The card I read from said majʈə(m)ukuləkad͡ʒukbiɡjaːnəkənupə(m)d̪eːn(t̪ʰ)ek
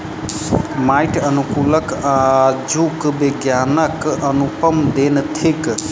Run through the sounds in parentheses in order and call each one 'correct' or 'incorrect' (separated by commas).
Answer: incorrect, correct, correct